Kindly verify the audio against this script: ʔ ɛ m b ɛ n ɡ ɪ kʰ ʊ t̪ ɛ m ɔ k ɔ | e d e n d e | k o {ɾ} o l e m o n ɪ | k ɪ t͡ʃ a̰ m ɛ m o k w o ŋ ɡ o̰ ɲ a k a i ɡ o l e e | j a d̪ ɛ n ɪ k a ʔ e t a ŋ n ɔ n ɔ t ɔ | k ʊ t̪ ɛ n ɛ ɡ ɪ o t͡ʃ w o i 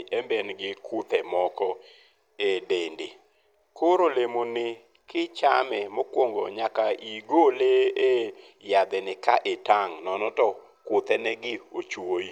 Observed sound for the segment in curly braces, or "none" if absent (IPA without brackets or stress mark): ɾ